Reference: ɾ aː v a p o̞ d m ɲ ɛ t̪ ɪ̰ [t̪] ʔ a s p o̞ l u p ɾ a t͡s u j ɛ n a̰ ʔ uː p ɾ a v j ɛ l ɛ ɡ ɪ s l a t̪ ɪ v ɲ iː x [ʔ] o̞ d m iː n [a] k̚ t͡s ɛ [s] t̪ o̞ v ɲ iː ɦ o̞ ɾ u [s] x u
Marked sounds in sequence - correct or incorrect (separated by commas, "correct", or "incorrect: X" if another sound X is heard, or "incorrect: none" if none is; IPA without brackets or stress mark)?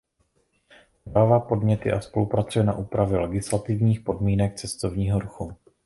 incorrect: none, incorrect: p, incorrect: ɛ, correct, incorrect: none